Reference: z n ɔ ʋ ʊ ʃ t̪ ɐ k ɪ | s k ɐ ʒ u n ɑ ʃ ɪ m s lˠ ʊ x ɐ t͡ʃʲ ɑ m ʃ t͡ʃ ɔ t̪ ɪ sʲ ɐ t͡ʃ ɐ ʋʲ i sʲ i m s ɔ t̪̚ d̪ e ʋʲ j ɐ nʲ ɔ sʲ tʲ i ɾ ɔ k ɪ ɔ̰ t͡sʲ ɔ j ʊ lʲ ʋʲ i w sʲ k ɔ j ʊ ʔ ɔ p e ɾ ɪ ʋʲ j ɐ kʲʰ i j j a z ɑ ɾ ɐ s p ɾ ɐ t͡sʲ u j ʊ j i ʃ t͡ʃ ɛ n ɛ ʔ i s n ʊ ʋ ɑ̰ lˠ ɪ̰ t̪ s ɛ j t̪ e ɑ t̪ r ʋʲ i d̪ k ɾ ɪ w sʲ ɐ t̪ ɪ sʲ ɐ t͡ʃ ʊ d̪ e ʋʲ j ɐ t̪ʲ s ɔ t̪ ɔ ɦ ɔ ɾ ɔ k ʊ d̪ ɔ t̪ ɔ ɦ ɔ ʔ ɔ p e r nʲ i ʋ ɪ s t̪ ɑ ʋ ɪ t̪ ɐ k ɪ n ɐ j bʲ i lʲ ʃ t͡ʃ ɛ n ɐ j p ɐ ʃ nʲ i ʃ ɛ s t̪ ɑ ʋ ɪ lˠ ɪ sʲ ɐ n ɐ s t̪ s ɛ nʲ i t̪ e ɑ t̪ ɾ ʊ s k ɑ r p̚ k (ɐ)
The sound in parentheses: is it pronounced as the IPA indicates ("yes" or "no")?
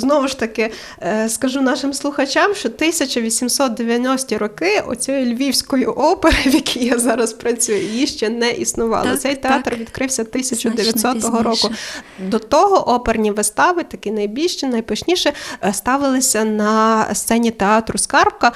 yes